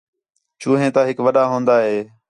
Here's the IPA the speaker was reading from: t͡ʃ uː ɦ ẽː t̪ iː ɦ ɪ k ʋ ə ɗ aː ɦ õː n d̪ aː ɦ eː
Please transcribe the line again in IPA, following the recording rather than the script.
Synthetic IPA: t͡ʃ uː ɦ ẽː t̪ aː ɦ ɪ k ʋ ə ɗ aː ɦ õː n d̪ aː ɦ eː